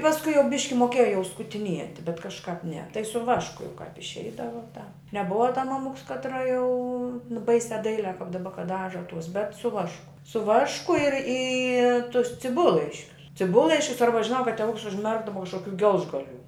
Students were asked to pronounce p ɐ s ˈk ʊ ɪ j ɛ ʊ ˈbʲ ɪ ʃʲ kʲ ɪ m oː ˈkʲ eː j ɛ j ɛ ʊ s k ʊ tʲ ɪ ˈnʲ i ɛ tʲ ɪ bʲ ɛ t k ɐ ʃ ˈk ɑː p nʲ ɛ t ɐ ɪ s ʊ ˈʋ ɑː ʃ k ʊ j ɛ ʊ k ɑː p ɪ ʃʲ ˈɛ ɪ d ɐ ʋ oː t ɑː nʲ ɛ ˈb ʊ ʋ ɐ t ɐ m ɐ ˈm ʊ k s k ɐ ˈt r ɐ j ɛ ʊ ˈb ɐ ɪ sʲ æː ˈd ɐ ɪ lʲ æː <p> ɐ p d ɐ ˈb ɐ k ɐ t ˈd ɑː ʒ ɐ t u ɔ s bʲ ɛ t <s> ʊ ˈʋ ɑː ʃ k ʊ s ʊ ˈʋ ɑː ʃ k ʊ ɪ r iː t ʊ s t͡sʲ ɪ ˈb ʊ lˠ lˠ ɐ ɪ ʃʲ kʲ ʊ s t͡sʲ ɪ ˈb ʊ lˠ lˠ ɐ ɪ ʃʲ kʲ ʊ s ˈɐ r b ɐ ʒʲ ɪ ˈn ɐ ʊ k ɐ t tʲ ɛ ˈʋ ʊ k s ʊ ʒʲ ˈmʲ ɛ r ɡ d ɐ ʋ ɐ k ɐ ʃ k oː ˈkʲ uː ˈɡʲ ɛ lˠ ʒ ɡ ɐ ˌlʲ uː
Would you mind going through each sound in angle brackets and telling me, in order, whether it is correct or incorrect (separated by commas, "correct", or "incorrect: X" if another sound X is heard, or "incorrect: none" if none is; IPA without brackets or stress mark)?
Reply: incorrect: k, correct